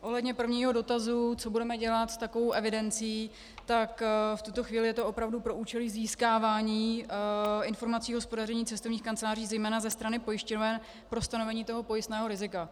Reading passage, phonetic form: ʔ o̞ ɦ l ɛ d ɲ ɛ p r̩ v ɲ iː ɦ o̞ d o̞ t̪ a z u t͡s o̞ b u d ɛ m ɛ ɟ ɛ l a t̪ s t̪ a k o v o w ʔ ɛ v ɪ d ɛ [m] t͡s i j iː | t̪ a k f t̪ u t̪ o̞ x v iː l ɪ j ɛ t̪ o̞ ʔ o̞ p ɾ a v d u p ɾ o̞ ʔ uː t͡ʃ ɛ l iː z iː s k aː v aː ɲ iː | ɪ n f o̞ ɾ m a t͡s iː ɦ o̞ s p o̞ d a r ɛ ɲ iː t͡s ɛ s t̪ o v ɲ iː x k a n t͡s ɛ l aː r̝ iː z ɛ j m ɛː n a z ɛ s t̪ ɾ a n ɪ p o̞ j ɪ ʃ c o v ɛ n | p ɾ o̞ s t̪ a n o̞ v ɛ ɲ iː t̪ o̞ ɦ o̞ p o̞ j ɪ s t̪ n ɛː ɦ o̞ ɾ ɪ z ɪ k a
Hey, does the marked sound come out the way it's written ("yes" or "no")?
no